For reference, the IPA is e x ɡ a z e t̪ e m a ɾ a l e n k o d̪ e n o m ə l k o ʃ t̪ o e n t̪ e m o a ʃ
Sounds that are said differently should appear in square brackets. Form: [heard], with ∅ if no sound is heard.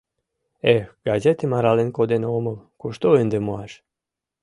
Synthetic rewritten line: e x ɡ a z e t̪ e m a ɾ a l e n k o d̪ e n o m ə l k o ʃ t̪ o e n [d̪] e m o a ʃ